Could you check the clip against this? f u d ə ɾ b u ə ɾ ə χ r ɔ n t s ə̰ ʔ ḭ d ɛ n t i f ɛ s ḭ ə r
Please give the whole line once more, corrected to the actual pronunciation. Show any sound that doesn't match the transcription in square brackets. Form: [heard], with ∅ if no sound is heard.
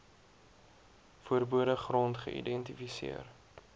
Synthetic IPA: f u [∅] ə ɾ b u ə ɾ ə χ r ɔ n t [χ] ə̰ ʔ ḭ d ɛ n t i f [i] s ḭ ə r